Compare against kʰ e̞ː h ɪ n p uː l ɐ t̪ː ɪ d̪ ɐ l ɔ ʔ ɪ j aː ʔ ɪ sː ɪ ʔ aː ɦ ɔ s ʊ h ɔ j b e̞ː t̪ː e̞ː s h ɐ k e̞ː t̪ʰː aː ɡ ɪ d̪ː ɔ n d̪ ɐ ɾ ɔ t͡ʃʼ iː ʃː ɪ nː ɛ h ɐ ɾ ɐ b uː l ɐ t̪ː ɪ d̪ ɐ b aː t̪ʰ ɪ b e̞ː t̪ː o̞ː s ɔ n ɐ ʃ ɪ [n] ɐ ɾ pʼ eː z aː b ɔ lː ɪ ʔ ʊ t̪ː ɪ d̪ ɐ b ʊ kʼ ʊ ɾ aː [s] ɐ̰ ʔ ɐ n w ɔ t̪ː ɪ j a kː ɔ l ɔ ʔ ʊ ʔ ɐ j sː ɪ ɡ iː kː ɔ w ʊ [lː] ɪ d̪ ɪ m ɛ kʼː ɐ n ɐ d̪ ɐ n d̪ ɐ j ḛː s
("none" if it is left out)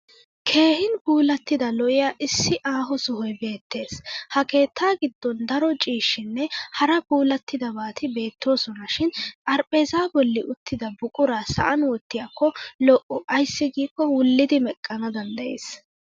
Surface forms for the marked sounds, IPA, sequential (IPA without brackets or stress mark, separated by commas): n, s, lː